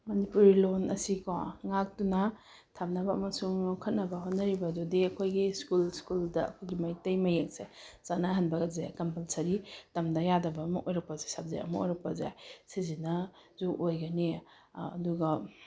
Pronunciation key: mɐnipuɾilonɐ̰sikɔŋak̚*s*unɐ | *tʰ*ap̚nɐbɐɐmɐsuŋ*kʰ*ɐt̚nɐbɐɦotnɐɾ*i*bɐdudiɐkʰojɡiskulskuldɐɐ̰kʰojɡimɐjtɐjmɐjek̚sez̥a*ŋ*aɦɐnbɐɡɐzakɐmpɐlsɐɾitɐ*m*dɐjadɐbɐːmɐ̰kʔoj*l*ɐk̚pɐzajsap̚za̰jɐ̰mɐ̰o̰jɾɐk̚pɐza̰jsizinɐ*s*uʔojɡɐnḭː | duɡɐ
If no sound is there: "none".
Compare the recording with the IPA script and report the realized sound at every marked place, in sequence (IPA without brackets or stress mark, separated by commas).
t, tʰ, kʰ, i, n, m, ɾ, z